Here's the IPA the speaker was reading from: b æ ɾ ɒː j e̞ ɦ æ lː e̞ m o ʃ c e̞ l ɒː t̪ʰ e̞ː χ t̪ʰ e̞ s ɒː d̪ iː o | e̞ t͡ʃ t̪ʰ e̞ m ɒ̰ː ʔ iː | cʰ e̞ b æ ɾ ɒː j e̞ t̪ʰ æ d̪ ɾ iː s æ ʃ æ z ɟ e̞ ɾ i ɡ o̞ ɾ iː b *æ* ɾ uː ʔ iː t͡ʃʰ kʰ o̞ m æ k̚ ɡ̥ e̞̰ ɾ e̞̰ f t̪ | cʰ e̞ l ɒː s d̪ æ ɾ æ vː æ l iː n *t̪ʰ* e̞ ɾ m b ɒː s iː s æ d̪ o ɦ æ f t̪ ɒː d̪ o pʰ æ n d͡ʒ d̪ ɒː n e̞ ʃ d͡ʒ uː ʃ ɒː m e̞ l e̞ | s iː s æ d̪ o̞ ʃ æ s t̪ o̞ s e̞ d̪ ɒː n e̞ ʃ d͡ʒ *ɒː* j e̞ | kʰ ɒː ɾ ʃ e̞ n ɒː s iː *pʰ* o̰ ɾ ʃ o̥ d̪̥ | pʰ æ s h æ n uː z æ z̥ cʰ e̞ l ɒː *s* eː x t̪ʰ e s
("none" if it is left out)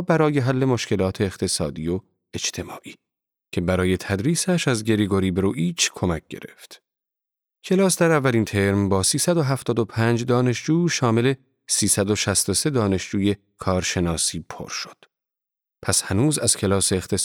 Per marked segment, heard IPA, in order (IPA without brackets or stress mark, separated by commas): e, t̪ʰ, uː, pʰ, s